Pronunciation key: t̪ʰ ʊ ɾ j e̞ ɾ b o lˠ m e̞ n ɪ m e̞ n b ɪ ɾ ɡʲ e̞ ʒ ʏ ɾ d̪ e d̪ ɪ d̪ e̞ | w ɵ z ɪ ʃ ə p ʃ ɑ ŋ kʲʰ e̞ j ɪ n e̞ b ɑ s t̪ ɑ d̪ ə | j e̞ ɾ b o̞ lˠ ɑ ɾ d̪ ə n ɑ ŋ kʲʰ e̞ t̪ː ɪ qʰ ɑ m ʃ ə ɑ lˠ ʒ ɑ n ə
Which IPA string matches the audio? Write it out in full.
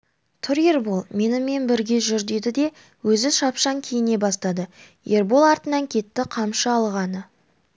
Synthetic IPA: t̪ʰ ʊ ɾ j e̞ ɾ b o lˠ m e̞ n ɪ m e̞ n b ɪ ɾ ɡʲ e̞ ʒ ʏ ɾ d̪ e d̪ ɪ d̪ e̞ | w ɵ z ɪ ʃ ɑ p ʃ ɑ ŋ kʲʰ e̞ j ɪ n e̞ b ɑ s t̪ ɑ d̪ ə | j e̞ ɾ b o̞ lˠ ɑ ɾ t̪ ə n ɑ ŋ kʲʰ e̞ t̪ː ɪ qʰ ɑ m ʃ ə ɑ lˠ ʁ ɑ n ə